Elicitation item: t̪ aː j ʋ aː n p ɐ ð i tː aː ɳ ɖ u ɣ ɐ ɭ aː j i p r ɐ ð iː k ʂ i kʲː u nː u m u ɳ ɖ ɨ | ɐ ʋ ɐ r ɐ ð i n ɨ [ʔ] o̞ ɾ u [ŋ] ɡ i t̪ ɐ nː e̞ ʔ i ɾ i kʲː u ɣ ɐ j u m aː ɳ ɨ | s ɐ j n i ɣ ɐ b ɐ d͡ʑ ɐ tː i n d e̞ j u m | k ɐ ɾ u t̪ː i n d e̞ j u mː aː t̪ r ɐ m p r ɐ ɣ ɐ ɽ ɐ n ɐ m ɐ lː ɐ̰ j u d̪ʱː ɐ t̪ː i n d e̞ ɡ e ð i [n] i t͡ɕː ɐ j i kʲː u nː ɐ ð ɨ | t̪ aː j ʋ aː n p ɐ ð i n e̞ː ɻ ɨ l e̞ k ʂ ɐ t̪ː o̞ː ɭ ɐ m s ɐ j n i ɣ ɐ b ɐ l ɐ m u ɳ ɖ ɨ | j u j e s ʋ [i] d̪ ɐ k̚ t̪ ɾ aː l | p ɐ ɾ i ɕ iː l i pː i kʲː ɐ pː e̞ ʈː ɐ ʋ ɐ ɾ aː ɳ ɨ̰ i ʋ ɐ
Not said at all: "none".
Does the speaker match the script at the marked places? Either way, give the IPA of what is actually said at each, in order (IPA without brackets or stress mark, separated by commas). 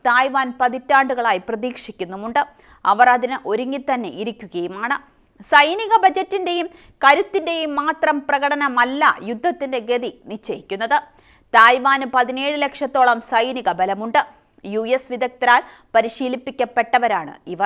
ʔ, ŋ, n, i